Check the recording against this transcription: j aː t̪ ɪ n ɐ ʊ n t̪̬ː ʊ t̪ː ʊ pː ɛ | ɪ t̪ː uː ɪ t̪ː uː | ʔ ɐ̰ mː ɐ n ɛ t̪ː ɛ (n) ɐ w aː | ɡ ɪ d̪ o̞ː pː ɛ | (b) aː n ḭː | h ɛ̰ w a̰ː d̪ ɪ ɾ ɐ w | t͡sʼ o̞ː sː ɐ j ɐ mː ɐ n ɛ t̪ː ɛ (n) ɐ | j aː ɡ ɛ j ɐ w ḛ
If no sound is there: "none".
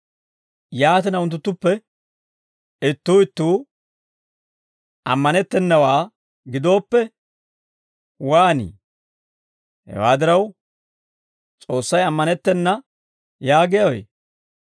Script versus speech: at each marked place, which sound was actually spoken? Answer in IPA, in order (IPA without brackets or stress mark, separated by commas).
nː, w, nː